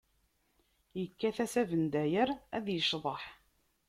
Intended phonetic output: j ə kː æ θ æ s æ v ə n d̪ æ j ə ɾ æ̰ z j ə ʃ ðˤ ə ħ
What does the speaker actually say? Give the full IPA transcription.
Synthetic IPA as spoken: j ə kː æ θ æ s æ v ə n d̪ æ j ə ɾ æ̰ ð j ə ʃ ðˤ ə ħ